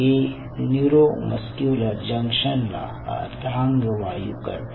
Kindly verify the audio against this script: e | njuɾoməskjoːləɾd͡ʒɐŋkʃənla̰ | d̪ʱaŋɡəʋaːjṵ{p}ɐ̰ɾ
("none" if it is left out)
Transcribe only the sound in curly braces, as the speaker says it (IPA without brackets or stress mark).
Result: k